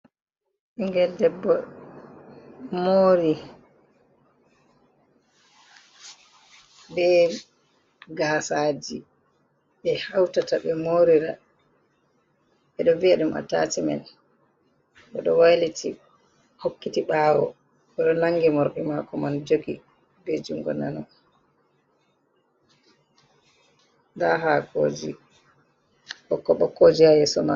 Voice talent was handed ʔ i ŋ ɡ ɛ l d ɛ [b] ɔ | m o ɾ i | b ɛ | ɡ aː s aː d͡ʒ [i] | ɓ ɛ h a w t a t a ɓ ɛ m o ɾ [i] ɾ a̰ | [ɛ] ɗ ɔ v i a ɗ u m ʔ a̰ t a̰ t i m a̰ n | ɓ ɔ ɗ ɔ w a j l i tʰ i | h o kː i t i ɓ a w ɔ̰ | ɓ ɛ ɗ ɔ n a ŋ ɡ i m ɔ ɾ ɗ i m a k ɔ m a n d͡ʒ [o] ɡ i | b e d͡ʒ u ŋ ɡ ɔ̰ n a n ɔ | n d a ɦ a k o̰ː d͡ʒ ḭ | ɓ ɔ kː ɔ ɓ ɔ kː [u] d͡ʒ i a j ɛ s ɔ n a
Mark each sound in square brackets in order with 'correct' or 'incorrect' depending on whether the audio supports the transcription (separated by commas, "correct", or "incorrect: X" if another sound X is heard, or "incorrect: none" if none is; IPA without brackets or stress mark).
incorrect: bː, correct, correct, correct, correct, incorrect: o